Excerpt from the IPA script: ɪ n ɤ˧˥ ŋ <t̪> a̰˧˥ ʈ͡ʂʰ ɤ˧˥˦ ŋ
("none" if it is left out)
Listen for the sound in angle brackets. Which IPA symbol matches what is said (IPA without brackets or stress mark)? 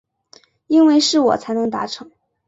t̪